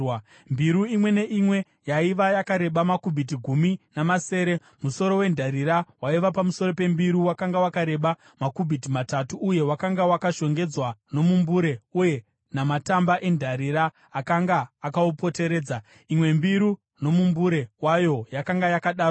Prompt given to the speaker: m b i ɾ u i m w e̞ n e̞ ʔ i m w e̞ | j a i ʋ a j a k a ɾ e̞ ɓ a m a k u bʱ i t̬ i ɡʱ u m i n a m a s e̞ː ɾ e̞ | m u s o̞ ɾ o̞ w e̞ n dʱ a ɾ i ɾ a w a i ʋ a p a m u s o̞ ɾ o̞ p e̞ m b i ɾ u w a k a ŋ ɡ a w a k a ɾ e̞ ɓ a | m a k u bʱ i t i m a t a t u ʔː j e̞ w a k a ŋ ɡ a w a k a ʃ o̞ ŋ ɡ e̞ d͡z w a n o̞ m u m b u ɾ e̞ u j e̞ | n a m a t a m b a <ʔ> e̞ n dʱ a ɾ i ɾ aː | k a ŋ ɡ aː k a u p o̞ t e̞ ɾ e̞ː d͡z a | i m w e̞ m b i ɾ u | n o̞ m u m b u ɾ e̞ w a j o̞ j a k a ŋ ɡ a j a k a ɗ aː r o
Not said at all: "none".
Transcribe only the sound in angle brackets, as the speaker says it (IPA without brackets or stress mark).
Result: ʔ